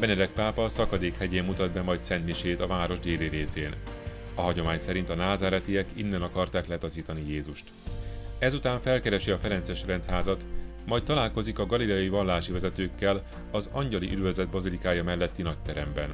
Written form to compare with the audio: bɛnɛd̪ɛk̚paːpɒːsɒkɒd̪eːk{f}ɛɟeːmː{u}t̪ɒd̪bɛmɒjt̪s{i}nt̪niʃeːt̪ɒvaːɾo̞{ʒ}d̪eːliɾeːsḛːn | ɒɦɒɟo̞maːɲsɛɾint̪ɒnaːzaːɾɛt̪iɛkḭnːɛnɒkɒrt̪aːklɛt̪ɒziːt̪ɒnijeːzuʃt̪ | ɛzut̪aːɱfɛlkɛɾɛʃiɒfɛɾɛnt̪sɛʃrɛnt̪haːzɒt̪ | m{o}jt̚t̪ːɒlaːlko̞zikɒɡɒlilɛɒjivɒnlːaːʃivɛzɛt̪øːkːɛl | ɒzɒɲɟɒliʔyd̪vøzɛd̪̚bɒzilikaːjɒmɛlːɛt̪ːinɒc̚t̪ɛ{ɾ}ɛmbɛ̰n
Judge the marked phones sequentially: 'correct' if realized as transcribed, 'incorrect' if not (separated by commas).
incorrect, correct, incorrect, correct, incorrect, correct